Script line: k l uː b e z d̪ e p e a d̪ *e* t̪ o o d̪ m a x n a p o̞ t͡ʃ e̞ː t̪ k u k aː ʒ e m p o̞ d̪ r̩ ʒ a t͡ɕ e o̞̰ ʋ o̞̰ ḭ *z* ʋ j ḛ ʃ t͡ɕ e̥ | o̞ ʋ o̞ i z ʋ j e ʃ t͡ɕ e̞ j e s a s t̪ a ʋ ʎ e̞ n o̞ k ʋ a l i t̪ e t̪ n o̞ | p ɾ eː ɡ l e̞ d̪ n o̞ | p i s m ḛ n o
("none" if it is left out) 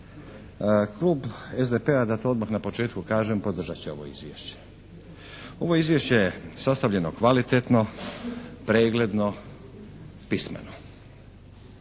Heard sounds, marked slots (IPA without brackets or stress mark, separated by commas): a, z